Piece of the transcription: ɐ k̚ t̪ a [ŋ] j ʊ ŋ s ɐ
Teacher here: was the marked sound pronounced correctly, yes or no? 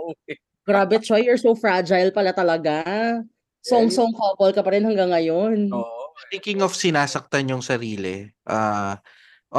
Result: no